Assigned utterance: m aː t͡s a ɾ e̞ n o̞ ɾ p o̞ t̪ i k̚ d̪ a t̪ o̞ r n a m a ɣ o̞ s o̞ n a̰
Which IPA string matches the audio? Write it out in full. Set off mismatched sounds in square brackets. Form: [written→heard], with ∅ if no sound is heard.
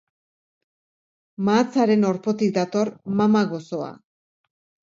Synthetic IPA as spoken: m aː t͡s a ɾ e̞ n o̞ ɾ p o̞ t̪ i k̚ d̪ a t̪ o̞ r [n→m] a m a ɣ o̞ s o̞ [n→∅] a̰

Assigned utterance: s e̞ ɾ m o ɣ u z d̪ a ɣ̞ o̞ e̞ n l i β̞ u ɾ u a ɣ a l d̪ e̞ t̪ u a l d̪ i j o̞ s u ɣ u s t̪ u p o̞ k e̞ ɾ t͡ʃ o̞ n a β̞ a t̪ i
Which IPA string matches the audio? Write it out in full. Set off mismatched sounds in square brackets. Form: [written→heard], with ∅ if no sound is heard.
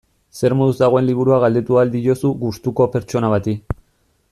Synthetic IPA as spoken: s e̞ ɾ m o [ɣ→ð] u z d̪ a ɣ̞ o̞ e̞ n l i β̞ u ɾ u a ɣ a l d̪ e̞ t̪ u a l d̪ i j o̞ s u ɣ u s t̪ u [p→k] o̞ [k→p] e̞ ɾ t͡ʃ o̞ n a β̞ a t̪ i

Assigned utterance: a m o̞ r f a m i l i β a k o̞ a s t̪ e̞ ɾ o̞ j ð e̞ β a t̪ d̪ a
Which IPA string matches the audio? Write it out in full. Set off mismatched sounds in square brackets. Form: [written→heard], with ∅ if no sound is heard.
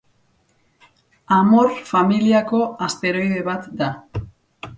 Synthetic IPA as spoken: a m o̞ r f a m i l i [β→∅] a k o̞ a s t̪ e̞ ɾ o̞ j ð e̞ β a t̪ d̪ a

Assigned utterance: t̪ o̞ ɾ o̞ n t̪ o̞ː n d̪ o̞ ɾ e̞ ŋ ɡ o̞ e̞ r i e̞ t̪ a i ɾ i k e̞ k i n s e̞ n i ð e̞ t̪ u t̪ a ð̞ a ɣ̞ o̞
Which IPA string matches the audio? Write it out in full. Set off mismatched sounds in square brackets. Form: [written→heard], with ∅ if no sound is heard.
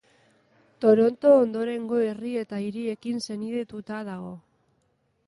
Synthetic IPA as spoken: t̪ o̞ ɾ o̞ n t̪ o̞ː n d̪ o̞ ɾ e̞ ŋ ɡ o̞ e̞ r i e̞ t̪ a i ɾ i [k→∅] e̞ k i n s e̞ n i ð e̞ t̪ u t̪ a ð̞ a ɣ̞ o̞

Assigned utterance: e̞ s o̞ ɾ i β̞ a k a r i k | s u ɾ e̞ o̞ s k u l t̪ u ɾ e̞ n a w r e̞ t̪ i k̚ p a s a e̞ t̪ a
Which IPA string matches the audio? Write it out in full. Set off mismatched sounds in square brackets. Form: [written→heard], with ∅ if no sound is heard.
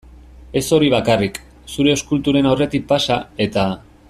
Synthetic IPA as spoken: e̞ s o̞ ɾ i β̞ a k a r i k | s u ɾ e̞ o̞ s k u l t̪ u ɾ e̞ n a w r e̞ t̪ i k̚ p a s a e̞ t̪ a

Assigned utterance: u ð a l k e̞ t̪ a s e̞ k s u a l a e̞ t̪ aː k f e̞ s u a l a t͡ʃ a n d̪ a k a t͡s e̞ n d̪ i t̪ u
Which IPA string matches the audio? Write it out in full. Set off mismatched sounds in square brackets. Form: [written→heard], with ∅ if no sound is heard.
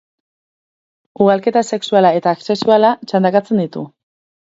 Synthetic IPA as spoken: u [ð→ɣ] a l k e̞ t̪ a s e̞ k s u a l a e̞ t̪ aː k [f→s] e̞ s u a l a t͡ʃ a n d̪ a k a t͡s e̞ n d̪ i t̪ u

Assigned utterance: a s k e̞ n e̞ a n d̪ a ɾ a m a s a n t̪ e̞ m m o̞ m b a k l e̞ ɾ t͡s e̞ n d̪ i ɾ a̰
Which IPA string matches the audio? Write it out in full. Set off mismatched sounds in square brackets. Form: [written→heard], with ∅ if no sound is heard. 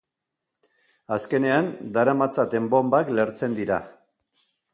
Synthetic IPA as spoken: a s k e̞ n e̞ a n d̪ a ɾ a m a [s→t͡s] a [n→∅] t̪ e̞ m [m→b] o̞ m b a k l e̞ ɾ t͡s e̞ n d̪ i ɾ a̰

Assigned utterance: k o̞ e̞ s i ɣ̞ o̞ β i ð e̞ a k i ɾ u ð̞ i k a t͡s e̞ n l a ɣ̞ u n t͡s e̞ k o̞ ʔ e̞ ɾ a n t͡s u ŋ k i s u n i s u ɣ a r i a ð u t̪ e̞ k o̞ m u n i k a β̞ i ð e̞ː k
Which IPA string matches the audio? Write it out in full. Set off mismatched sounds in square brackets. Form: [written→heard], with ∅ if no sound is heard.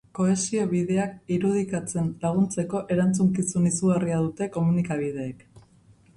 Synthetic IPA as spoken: k o̞ e̞ s i [ɣ̞→∅] o̞ β i ð e̞ a k i ɾ u ð̞ i k a t͡s e̞ n l a ɣ̞ u n t͡s e̞ k o̞ ʔ e̞ ɾ a n t͡s u ŋ k i s u n i s u ɣ a r i a ð u t̪ e̞ k o̞ m u n i k a β̞ i ð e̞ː k

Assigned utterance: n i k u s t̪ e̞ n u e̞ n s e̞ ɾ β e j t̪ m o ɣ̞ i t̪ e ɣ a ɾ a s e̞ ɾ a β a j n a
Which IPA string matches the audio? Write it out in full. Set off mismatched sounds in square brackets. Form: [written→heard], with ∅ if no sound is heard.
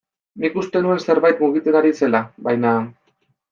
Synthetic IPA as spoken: n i k u s t̪ e̞ n u e̞ n s e̞ ɾ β [e→a] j t̪ m [o→u] ɣ̞ i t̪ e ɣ a ɾ [a→i] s e̞ [ɾ→l] a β a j n a

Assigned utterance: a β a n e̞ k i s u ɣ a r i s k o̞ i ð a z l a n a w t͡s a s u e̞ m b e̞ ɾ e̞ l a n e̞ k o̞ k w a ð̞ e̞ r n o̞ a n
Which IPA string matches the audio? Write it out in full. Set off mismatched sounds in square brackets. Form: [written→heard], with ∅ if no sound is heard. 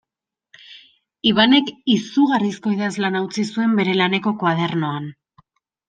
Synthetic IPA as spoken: [a→i] β a n e̞ k i s u ɣ a r i s k o̞ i ð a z l a n a w t͡s [a→i] s u e̞ m b e̞ ɾ e̞ l a n e̞ k o̞ k w a ð̞ e̞ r n o̞ a n

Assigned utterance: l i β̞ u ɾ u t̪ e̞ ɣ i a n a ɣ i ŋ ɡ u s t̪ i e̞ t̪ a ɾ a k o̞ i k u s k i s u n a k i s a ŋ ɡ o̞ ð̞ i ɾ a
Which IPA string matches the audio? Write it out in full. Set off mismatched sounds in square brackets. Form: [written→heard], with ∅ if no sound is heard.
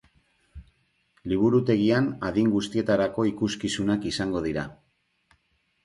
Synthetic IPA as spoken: l i β̞ u ɾ u t̪ e̞ ɣ i a n a [ɣ→ð] i ŋ ɡ u s t̪ i e̞ t̪ a ɾ a k o̞ i k u s k i s u n a k i s a ŋ ɡ o̞ ð̞ i ɾ a

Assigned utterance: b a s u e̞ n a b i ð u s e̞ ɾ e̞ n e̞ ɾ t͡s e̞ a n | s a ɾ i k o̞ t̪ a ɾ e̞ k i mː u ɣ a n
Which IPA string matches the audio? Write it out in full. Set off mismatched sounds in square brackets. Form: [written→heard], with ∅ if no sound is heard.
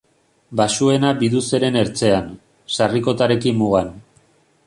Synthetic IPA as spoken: b a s u e̞ n a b i ð u s e̞ ɾ e̞ n e̞ ɾ t͡s e̞ a n | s a [ɾ→r] i k o̞ t̪ a ɾ e̞ k i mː u ɣ a n

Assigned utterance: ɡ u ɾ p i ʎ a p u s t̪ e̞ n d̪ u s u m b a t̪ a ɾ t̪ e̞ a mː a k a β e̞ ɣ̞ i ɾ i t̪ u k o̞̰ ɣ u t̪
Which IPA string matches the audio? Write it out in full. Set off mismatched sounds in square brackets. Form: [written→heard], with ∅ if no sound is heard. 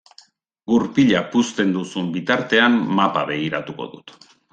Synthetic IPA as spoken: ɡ u ɾ p i ʎ a p u s t̪ e̞ n d̪ u s u m b [a→i] t̪ a ɾ t̪ e̞ a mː a [k→p] a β e̞ ɣ̞ i ɾ [i→a] t̪ u k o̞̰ [ɣ→ð] u t̪

